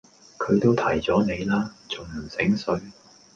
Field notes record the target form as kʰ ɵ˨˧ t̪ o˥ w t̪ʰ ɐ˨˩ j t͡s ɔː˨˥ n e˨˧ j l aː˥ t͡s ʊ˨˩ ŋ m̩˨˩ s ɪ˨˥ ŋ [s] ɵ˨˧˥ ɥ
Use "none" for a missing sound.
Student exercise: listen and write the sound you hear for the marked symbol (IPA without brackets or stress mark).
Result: s